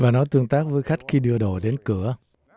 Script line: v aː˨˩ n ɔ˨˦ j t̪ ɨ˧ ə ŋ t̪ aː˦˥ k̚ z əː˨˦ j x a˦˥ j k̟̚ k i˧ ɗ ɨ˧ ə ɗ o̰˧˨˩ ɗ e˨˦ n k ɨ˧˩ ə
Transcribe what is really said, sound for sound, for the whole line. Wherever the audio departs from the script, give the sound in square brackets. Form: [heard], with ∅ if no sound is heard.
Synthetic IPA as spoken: v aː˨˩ n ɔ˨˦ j t̪ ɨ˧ ə ŋ t̪ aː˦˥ k̚ [v] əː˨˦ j x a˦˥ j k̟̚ [x] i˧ ɗ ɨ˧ ə ɗ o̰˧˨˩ ɗ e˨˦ n k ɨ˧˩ ə